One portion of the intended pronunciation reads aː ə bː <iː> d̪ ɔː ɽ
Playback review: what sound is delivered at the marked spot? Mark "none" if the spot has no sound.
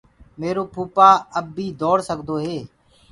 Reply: iː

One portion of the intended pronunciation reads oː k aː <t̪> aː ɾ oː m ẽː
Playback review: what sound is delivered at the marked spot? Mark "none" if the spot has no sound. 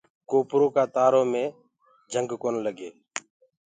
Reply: t̪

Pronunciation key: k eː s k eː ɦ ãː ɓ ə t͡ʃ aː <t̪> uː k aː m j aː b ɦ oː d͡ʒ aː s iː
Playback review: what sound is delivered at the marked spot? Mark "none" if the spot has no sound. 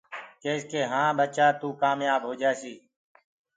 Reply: t̪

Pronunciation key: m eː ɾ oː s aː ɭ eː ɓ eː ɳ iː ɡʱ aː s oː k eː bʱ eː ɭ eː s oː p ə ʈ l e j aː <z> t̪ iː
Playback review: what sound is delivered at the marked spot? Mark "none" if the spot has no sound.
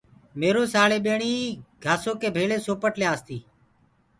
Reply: s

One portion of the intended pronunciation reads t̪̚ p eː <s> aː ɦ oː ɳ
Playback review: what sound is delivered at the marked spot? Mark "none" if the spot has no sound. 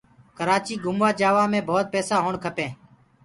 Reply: s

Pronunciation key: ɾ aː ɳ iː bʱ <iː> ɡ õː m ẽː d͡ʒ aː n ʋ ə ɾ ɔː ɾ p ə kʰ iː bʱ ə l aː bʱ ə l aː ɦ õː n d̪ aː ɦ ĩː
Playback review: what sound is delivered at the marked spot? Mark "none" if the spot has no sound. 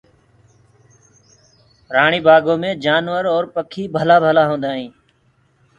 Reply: aː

